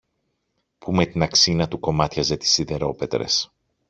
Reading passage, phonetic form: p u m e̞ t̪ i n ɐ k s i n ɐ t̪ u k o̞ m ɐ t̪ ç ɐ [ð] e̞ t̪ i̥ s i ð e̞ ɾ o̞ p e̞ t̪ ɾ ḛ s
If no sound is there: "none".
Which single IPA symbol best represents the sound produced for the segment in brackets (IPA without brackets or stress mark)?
z